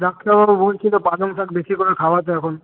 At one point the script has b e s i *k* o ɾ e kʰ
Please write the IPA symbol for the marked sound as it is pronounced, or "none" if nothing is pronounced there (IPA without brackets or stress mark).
k